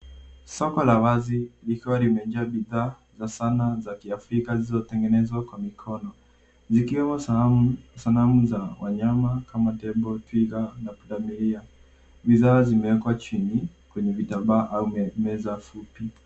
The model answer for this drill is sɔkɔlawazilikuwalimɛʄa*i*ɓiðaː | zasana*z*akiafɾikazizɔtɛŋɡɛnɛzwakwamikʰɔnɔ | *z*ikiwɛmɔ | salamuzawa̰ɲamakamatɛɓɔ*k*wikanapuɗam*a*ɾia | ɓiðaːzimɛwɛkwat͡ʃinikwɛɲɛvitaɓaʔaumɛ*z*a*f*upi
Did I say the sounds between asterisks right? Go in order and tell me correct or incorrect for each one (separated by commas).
incorrect, correct, correct, incorrect, incorrect, correct, correct